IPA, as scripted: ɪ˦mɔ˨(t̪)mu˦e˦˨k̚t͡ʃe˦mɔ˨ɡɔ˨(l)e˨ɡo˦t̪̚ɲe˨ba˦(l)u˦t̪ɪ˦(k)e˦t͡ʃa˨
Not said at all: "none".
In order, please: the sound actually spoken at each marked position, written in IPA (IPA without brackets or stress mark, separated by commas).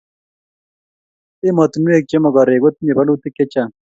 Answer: t̪, ɾ, l, k